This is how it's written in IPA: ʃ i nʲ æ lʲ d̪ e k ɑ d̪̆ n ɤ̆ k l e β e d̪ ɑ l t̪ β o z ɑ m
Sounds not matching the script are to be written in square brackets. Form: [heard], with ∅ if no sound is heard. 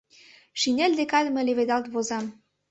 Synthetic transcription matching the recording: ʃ i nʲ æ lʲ d̪ e k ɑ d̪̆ [m] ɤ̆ [∅] l e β e d̪ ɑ l t̪ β o z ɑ m